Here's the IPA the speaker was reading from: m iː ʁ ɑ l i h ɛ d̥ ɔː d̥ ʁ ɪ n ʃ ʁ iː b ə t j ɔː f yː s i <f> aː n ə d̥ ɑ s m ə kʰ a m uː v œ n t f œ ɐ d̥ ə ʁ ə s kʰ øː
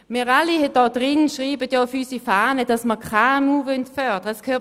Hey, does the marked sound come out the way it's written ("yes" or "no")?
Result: yes